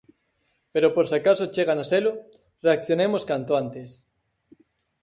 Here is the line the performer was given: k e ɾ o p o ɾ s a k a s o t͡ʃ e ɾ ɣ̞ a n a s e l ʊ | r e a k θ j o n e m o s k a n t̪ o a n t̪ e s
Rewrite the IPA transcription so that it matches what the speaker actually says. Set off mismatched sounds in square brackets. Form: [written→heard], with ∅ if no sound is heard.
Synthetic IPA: [k→p] e ɾ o p o ɾ s a k a s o t͡ʃ e [ɾ→∅] ɣ̞ a n a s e l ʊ | r e a k θ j o n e m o s k a n t̪ o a n t̪ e s